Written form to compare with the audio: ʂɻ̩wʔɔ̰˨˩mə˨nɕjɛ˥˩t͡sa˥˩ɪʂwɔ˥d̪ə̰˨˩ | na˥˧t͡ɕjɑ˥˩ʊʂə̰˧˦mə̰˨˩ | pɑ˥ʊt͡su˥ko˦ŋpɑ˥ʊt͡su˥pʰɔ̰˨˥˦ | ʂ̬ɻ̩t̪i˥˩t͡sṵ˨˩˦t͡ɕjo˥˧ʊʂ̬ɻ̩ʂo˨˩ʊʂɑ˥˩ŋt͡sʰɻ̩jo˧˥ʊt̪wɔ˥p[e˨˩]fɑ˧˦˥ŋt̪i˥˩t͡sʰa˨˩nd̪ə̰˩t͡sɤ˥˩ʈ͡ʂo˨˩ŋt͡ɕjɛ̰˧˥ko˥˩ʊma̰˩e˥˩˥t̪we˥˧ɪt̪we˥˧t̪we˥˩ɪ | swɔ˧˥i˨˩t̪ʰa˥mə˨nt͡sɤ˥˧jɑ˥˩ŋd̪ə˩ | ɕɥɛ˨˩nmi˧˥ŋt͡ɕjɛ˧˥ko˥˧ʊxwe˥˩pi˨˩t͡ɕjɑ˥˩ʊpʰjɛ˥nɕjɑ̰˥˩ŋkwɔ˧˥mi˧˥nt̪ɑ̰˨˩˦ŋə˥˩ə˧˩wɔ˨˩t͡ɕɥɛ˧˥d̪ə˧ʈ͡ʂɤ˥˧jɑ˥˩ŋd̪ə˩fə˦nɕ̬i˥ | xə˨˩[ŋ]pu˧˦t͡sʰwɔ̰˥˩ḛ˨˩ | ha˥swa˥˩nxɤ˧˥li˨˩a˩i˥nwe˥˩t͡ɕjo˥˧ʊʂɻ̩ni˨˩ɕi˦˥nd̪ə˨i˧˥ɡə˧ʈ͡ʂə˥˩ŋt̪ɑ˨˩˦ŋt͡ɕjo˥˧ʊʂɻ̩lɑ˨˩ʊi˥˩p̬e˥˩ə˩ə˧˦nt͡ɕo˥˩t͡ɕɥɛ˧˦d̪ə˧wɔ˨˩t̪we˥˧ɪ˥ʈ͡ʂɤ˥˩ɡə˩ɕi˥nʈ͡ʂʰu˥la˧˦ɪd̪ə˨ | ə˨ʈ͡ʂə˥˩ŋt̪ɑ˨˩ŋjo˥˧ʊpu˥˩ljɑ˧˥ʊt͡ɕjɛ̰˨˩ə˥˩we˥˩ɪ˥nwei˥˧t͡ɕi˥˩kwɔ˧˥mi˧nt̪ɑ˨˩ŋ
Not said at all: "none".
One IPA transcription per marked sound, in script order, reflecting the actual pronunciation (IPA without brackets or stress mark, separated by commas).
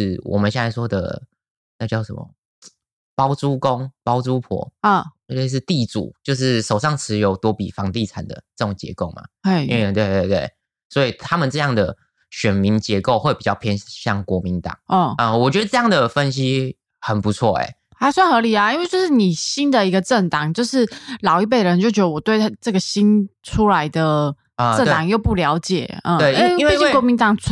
i˨˩, n